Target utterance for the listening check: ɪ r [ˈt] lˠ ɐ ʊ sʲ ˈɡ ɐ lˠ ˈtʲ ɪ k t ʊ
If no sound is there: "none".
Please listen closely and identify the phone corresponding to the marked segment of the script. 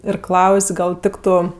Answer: k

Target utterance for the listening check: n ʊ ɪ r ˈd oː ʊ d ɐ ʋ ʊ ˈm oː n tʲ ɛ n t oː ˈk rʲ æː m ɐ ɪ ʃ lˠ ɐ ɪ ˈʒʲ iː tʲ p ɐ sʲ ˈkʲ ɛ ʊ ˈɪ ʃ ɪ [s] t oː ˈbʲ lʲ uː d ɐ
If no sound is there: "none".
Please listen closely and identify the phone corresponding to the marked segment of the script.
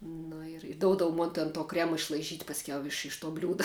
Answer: ʃ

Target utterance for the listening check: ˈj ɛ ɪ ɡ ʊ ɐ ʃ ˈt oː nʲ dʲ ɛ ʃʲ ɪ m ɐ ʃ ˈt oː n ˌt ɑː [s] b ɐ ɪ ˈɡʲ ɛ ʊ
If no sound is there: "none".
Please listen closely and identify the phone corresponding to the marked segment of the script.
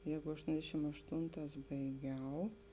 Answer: s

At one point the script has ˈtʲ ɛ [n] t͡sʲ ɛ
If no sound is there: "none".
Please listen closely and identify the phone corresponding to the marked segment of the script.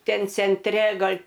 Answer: n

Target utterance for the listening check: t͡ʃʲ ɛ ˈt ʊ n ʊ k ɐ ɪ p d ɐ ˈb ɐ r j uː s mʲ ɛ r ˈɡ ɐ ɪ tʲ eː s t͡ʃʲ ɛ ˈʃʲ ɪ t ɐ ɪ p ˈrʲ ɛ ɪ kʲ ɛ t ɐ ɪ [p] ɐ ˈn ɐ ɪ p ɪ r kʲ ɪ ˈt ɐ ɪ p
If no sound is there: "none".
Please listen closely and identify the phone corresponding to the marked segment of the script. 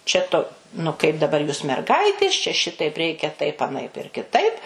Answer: p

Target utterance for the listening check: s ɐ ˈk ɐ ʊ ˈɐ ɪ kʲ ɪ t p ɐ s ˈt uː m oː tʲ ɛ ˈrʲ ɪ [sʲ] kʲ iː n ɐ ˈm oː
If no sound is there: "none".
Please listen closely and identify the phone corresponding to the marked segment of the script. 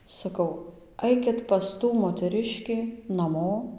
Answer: ʃʲ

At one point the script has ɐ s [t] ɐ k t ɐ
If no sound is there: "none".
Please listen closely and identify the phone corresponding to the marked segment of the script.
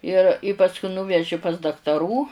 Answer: d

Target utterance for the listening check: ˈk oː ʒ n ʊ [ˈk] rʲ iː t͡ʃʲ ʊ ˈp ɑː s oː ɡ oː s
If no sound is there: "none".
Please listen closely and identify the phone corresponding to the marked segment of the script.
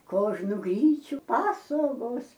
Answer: ɡ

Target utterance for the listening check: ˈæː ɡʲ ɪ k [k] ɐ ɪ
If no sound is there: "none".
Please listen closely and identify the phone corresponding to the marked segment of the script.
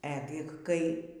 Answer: k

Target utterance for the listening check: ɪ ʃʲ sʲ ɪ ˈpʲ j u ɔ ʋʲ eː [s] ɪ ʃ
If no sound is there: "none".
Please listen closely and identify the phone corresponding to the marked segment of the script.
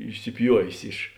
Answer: s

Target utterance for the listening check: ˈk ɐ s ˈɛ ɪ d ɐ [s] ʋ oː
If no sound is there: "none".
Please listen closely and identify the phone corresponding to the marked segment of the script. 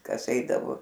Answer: none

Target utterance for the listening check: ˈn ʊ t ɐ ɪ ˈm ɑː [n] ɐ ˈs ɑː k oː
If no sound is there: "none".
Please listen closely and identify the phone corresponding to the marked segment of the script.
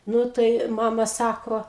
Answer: m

